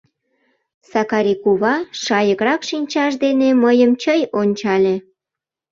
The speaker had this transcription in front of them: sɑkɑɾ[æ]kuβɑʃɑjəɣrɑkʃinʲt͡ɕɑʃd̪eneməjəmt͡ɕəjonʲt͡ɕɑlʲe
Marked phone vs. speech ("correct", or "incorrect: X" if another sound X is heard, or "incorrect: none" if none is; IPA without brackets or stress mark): incorrect: i